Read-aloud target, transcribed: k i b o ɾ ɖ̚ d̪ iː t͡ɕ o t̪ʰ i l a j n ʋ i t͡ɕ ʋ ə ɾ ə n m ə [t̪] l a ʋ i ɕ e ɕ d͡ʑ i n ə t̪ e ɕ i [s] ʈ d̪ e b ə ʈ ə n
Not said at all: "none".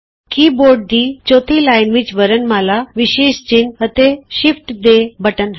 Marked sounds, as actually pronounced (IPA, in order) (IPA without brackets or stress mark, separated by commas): none, f